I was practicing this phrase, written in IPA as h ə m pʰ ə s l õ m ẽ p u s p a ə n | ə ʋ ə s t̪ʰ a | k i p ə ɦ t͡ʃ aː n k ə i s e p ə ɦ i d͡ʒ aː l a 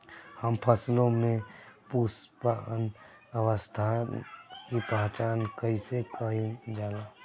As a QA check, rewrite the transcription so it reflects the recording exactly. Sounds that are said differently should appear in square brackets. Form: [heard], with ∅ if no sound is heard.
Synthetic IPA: h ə m pʰ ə s l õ m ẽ p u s p a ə n | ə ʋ ə s t̪ʰ a | k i p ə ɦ t͡ʃ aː n k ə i s e [k] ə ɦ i d͡ʒ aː l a